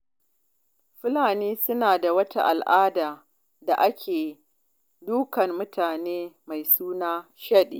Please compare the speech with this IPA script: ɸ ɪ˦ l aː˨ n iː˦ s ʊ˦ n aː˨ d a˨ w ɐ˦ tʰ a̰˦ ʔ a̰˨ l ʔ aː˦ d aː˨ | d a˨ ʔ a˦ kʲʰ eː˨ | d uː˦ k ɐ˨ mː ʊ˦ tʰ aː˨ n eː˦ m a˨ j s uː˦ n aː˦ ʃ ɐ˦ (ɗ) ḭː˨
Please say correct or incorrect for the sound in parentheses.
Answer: correct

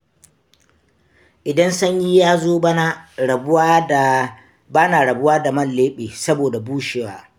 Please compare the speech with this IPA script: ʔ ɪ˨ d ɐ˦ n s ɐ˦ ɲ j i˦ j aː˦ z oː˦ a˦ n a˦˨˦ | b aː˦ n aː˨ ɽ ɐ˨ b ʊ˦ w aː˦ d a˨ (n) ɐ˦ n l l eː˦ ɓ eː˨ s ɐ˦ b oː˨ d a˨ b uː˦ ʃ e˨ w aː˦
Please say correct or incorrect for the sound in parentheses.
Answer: incorrect: m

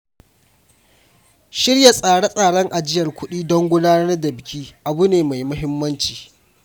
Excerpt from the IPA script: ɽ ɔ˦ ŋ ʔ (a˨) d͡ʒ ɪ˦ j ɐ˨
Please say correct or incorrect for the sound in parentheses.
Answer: correct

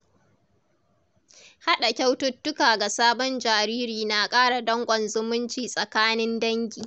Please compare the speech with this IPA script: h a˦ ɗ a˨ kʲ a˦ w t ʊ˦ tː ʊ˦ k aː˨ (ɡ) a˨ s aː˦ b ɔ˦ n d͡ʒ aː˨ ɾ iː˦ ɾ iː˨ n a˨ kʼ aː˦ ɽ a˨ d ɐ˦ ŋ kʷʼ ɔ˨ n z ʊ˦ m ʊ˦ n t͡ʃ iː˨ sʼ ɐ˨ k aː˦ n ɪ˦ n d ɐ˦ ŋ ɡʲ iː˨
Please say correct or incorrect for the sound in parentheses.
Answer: correct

